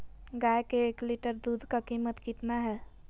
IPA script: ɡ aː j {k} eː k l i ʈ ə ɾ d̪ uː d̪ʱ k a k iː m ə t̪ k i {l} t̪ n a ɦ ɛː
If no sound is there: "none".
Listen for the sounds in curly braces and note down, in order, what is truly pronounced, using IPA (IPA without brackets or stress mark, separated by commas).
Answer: k, none